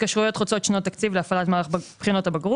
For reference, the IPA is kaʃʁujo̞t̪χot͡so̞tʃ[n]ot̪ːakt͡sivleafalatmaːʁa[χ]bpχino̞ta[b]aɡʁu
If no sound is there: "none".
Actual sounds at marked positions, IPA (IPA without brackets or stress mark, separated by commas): n, χ, b